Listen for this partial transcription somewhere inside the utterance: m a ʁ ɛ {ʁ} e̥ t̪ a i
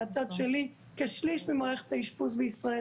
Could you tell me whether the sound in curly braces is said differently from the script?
yes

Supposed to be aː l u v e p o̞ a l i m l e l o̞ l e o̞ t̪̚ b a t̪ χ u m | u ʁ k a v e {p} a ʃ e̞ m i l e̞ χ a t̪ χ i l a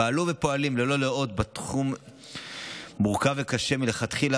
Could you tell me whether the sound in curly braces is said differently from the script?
yes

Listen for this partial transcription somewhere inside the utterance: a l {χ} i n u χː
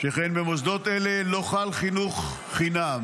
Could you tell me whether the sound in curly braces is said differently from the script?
no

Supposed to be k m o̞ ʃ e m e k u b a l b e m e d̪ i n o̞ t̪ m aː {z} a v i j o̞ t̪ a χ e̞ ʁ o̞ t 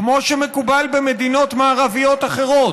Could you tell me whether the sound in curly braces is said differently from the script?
yes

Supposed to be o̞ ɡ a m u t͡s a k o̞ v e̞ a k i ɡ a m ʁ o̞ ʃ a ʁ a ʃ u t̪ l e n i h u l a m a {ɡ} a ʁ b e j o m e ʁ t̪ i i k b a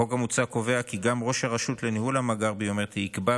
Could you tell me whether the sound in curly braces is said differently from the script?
no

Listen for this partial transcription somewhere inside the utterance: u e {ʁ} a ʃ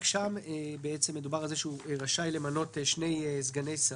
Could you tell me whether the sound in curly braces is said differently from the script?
no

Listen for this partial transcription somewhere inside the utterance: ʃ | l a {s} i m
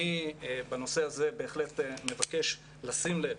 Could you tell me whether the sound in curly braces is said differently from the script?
no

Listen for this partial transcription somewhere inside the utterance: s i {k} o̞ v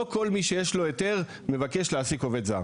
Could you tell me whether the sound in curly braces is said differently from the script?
no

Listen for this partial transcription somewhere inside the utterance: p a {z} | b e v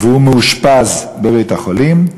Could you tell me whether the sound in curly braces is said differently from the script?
no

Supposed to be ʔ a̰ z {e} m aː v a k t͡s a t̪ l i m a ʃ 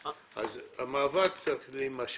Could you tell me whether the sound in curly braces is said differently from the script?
yes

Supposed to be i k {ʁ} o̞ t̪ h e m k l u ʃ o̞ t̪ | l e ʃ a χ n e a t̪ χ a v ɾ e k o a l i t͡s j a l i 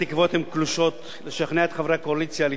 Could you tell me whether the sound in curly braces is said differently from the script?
yes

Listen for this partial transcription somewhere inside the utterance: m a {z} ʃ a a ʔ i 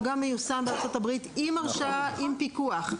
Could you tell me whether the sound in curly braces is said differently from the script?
yes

